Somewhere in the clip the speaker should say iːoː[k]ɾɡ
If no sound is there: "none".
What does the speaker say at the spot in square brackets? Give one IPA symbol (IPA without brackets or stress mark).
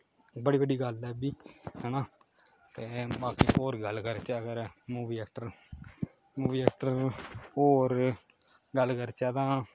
none